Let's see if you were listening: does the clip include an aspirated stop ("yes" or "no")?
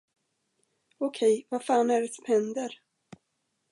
yes